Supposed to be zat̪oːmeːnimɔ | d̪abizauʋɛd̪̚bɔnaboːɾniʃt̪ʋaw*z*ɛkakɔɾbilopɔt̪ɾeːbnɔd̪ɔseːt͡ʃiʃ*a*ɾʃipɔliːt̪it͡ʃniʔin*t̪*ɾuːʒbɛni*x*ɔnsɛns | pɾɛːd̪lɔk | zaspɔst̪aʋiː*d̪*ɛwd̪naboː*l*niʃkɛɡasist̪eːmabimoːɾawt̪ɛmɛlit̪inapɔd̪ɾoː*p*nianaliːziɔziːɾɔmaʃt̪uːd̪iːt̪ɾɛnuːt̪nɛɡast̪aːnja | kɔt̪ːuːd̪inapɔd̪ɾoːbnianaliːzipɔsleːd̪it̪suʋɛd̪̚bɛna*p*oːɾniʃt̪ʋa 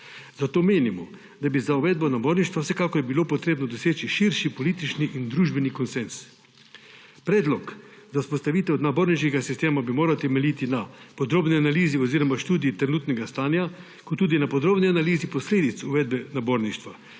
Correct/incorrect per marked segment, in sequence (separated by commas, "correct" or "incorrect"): incorrect, incorrect, incorrect, incorrect, incorrect, incorrect, incorrect, incorrect